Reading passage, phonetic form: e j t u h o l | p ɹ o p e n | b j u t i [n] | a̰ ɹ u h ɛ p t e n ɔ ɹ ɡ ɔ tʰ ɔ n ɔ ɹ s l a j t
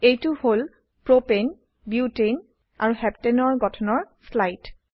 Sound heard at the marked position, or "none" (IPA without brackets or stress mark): n